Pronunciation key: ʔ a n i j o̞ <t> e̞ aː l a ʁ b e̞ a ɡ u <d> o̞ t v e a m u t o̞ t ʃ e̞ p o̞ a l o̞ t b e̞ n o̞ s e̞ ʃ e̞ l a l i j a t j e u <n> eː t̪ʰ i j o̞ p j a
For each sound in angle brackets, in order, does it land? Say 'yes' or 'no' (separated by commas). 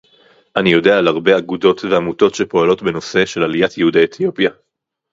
no, yes, no